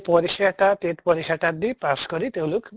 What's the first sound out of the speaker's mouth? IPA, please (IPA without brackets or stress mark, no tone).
p